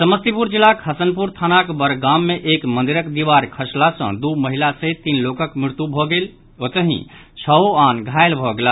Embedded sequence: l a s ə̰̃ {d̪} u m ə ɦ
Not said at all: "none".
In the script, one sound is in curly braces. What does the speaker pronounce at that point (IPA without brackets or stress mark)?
d̪